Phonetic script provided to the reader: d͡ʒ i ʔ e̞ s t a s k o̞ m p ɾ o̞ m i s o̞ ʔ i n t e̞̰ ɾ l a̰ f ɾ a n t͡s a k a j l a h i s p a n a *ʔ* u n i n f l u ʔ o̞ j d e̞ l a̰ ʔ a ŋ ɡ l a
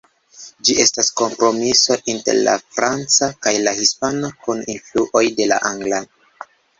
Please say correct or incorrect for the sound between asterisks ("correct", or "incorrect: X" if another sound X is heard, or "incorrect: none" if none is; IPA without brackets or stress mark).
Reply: incorrect: k